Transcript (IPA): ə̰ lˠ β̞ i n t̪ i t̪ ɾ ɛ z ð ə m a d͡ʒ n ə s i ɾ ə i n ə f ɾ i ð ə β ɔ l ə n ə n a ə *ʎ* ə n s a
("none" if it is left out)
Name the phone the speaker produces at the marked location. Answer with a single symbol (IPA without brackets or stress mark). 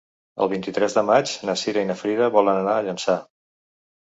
ʎ